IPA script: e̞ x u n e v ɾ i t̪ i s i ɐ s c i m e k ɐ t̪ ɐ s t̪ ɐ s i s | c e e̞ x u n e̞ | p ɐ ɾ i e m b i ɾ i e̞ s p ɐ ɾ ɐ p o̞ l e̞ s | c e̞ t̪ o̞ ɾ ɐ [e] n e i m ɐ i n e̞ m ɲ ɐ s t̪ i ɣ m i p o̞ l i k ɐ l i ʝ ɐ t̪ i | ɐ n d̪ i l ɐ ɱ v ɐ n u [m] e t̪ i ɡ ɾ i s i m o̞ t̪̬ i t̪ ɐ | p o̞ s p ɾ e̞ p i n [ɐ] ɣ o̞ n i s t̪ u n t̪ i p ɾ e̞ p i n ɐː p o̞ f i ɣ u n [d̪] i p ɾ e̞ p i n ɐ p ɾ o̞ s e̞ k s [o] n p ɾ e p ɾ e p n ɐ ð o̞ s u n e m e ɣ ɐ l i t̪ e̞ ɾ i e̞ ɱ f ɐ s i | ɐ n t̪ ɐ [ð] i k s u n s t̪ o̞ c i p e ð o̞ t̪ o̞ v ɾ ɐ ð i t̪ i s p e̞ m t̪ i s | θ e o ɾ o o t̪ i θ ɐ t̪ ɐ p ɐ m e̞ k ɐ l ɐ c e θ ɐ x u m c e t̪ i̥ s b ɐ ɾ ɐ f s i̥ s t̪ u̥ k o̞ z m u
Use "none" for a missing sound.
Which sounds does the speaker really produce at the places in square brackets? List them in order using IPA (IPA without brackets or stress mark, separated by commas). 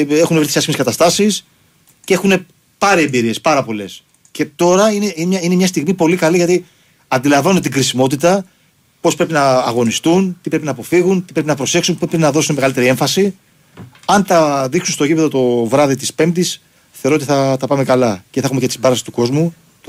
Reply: i, n, ɐː, t̪, u, ð